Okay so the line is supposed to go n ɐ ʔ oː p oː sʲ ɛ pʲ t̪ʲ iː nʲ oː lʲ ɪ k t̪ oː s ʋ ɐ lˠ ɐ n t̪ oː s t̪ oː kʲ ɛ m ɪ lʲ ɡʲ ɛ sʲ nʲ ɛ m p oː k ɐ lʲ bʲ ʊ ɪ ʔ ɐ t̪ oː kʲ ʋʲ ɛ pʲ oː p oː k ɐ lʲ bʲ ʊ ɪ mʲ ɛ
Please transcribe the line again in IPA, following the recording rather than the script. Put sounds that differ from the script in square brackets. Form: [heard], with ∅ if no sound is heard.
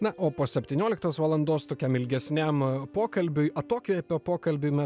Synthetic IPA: n ɐ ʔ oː p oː sʲ ɛ pʲ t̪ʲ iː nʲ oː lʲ ɪ k t̪ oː s ʋ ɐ lˠ ɐ n [d̪] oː s t̪ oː kʲ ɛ m ɪ lʲ ɡʲ ɛ sʲ nʲ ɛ m p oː k ɐ lʲ bʲ ʊ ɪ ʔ ɐ t̪ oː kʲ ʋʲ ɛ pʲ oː p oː k ɐ lʲ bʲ ʊ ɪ mʲ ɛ

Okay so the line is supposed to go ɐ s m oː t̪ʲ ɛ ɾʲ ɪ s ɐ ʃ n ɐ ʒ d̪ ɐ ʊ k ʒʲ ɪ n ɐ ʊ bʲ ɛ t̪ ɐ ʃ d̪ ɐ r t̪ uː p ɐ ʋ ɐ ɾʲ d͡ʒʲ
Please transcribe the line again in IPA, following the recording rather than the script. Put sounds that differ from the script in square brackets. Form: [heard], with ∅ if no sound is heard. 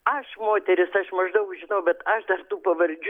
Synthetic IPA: ɐ [ʃ] m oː t̪ʲ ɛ ɾʲ ɪ s ɐ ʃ [m] ɐ ʒ d̪ ɐ ʊ k ʒʲ ɪ n ɐ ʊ bʲ ɛ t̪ ɐ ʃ d̪ ɐ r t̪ uː p ɐ ʋ ɐ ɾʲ d͡ʒʲ

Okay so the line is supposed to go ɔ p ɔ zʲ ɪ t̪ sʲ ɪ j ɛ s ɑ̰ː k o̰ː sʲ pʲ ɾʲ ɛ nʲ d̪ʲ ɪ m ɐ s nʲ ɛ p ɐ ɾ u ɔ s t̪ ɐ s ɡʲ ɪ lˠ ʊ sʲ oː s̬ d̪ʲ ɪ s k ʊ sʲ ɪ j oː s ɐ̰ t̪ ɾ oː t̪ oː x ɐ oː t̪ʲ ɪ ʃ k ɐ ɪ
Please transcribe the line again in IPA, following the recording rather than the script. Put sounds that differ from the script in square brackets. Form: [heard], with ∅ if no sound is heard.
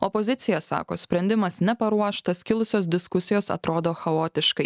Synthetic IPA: ɔ p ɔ zʲ ɪ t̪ sʲ ɪ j ɛ s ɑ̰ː k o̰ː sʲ pʲ ɾʲ ɛ nʲ d̪ʲ ɪ m ɐ s nʲ ɛ p ɐ ɾ u ɔ [ʃ] t̪ ɐ s [kʲ] ɪ lˠ ʊ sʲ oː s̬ d̪ʲ ɪ s k ʊ sʲ ɪ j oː s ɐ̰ t̪ ɾ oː [d̪] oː x ɐ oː t̪ʲ ɪ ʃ k ɐ ɪ

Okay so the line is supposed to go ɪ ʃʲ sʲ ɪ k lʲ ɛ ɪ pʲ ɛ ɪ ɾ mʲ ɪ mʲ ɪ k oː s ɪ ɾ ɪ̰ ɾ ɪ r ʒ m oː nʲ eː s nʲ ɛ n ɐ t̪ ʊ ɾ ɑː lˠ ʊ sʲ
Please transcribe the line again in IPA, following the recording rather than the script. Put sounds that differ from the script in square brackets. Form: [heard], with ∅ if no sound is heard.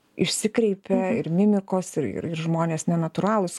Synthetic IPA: ɪ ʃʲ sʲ ɪ k [ɾʲ] ɛ ɪ pʲ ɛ ɪ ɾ mʲ ɪ mʲ ɪ k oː s ɪ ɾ ɪ̰ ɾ ɪ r ʒ m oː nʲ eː s nʲ ɛ n ɐ t̪ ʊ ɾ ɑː lˠ ʊ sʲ

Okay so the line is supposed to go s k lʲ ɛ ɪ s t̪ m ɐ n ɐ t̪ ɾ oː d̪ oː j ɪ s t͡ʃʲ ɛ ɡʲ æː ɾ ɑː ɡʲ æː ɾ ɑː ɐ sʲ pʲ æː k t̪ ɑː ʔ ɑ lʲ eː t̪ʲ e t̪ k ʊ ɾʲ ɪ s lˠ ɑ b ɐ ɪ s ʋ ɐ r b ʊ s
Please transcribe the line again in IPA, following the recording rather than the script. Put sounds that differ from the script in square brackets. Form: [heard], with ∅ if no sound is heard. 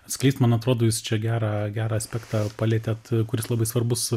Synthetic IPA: s k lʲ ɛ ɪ s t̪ m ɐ n ɐ t̪ ɾ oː d̪ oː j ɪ s t͡ʃʲ ɛ ɡʲ æː ɾ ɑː ɡʲ æː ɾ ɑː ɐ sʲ pʲ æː k t̪ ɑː [p] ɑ lʲ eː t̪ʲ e t̪ k ʊ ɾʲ ɪ s lˠ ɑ b ɐ ɪ s ʋ ɐ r b ʊ s

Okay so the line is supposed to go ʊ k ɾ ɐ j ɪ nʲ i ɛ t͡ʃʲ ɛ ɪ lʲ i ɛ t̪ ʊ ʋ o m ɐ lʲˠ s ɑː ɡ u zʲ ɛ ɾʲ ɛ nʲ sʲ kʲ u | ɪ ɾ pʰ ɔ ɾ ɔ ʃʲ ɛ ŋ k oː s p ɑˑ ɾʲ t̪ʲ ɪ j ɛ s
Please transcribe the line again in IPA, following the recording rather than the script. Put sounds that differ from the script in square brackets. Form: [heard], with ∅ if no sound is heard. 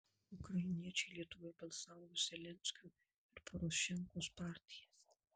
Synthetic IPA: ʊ k ɾ ɐ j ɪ nʲ i ɛ t͡ʃʲ ɛ ɪ lʲ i ɛ t̪ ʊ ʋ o [b] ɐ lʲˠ s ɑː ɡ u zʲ ɛ [lʲ] ɛ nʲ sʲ kʲ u | ɪ ɾ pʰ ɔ ɾ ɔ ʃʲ ɛ ŋ k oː s p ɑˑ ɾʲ t̪ʲ ɪ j ɛ s

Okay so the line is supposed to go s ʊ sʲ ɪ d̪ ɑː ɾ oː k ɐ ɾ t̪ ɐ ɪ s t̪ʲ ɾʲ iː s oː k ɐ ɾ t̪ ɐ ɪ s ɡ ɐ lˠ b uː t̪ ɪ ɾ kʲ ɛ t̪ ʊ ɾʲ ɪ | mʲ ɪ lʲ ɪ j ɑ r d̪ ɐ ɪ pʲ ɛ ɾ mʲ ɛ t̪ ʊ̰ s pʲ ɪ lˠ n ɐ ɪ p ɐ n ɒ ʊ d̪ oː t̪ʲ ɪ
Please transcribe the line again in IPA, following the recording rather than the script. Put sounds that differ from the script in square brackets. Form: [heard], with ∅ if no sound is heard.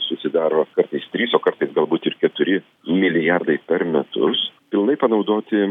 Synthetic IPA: s ʊ sʲ ɪ d̪ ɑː ɾ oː k ɐ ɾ t̪ ɐ ɪ s t̪ʲ ɾʲ iː s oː k ɐ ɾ t̪ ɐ ɪ s ɡ ɐ lˠ b uː t̪ ɪ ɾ kʲ ɛ t̪ ʊ ɾʲ ɪ | mʲ ɪ lʲ ɪ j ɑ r d̪ ɐ ɪ pʲ ɛ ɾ mʲ ɛ t̪ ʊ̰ s pʲ ɪ lˠ n ɐ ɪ p ɐ n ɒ ʊ d̪ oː t̪ʲ ɪ

